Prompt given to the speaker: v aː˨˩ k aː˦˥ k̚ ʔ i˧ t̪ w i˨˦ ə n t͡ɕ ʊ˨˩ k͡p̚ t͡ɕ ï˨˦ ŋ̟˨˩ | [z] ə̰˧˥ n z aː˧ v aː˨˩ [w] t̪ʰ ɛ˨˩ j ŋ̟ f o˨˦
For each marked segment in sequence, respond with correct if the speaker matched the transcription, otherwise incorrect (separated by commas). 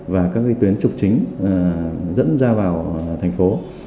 correct, correct